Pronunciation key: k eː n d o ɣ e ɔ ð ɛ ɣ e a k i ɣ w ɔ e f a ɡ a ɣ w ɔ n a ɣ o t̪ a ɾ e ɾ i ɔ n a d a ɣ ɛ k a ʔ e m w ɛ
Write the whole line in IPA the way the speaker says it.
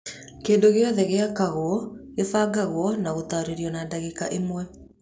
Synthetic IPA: k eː n d o ɣ e ɔ ð ɛ ɣ e a k a ɣ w ɔ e f a ɡ a ɣ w ɔ n a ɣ o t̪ a ɾ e ɾ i ɔ n a d a ɣ e k a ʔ e m w ɛ